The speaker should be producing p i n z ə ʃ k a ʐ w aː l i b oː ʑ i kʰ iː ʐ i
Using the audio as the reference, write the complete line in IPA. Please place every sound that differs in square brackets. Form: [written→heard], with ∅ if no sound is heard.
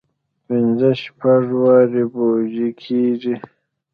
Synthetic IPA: p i n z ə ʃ [k→p] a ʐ w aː [l→ɾ] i b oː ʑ i kʰ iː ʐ i